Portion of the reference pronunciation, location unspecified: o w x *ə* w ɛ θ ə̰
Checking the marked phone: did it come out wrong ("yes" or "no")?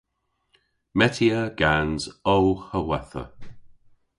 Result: no